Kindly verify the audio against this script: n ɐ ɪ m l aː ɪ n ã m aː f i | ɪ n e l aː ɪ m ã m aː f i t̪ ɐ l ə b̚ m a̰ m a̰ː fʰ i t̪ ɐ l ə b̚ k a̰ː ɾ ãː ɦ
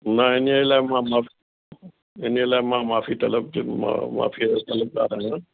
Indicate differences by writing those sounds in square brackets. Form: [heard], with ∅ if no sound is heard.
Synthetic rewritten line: n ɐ ɪ [n] l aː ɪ [m] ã m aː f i | ɪ n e l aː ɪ m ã m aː f i t̪ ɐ l ə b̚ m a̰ m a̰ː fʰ i t̪ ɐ l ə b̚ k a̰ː ɾ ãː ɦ